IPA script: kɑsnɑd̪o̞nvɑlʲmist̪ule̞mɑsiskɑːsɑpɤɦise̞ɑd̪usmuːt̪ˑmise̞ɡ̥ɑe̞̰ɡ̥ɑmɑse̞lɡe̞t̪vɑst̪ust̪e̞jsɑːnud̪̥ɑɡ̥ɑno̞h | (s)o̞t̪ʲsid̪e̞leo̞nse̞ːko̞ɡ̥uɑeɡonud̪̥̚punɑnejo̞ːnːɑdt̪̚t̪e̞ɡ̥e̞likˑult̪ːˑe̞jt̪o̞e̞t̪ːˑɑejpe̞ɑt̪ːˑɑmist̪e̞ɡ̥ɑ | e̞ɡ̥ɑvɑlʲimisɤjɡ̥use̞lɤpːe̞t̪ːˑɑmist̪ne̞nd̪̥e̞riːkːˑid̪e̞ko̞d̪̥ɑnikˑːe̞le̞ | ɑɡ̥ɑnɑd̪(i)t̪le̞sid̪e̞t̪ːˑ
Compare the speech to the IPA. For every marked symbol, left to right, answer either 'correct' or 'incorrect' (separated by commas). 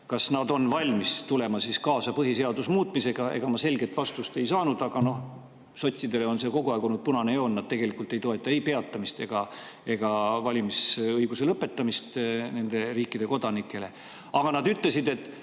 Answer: correct, incorrect